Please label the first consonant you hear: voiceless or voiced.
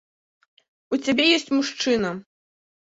voiceless